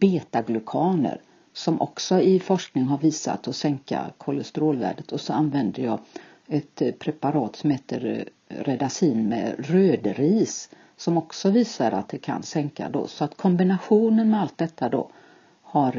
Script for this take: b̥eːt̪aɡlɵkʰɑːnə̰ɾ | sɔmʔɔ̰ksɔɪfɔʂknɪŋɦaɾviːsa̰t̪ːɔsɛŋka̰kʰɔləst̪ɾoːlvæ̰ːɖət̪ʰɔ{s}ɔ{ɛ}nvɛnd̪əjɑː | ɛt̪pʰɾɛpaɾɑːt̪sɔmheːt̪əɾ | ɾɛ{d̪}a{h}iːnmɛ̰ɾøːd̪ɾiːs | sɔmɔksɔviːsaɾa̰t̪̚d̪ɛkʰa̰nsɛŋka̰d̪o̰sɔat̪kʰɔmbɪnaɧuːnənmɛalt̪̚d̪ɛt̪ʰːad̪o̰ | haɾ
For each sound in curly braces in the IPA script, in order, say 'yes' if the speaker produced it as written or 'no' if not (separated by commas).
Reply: yes, no, yes, no